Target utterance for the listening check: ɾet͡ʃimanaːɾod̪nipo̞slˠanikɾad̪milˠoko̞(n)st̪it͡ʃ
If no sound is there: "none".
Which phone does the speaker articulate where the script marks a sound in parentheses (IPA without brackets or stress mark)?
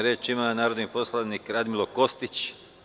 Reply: none